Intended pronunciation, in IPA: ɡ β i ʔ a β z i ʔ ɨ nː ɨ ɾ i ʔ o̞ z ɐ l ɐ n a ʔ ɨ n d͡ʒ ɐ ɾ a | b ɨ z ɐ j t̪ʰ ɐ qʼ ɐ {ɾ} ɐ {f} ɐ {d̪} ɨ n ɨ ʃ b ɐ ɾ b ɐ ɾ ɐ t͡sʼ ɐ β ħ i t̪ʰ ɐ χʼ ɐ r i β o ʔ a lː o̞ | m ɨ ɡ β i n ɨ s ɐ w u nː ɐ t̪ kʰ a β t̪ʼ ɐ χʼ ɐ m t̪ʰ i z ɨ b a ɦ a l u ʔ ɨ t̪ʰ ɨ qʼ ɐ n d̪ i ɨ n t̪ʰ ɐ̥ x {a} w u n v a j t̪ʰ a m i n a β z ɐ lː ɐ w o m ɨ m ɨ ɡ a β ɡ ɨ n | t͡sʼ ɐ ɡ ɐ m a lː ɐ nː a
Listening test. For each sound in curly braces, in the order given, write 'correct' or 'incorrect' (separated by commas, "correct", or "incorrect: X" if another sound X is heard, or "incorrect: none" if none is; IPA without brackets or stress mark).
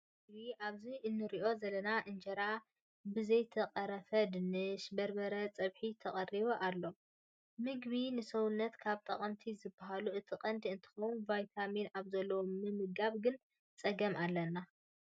correct, correct, correct, incorrect: ɐ